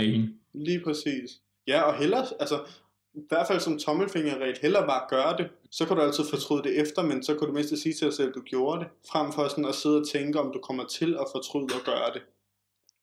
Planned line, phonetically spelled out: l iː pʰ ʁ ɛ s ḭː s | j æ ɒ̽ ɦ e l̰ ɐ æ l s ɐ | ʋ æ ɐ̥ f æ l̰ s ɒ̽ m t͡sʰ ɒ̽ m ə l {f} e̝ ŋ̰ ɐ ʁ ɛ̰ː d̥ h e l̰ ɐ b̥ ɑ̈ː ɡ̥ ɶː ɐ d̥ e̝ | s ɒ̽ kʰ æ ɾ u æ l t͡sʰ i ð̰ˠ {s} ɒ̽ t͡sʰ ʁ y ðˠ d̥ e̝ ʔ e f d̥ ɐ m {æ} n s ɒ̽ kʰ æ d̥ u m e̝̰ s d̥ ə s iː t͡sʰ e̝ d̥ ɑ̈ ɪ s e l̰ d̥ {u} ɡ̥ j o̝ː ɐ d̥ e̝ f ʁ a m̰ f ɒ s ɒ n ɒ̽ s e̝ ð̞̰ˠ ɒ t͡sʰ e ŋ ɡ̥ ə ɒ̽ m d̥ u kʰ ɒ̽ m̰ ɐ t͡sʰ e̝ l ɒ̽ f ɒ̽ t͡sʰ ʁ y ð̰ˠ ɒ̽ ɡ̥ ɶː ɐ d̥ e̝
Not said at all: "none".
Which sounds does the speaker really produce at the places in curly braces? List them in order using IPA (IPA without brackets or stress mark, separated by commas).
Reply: f, f, e, u